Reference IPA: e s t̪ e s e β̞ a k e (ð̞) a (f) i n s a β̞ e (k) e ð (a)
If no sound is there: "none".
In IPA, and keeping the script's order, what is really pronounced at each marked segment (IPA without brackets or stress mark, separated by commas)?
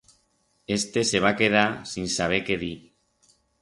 ð̞, s, k, i